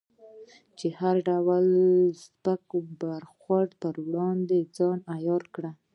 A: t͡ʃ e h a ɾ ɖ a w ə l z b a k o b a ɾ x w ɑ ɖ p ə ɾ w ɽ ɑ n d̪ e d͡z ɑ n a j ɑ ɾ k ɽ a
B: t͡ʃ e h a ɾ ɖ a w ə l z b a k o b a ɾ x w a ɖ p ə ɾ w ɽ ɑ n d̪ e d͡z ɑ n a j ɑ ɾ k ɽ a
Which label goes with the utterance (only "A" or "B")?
B